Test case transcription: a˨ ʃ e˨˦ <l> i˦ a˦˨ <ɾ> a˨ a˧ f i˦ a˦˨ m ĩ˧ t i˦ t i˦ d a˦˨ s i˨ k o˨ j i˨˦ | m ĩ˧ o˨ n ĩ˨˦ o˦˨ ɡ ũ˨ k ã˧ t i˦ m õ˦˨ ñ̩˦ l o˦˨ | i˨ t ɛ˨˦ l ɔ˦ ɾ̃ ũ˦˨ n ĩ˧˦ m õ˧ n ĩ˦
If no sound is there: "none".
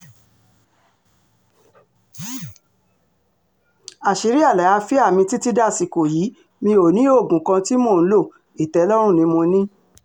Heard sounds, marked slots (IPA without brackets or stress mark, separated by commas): ɾ, l